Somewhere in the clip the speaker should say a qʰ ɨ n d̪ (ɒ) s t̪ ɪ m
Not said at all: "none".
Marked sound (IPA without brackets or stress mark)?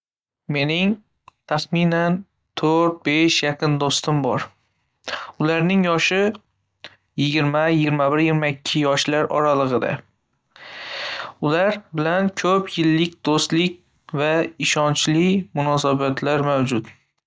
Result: o